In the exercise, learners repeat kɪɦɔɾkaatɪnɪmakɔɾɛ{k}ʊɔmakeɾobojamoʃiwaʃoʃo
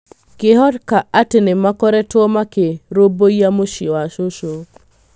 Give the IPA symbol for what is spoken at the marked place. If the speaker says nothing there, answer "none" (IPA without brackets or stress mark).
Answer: t